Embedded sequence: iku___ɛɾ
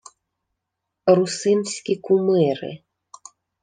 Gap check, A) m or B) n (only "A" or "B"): A